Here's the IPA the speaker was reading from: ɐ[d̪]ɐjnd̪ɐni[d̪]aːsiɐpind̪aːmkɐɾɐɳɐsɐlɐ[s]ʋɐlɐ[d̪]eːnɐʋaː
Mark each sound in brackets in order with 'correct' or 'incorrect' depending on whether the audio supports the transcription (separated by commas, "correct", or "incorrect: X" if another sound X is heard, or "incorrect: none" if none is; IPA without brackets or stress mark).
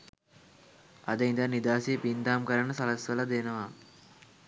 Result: correct, correct, correct, correct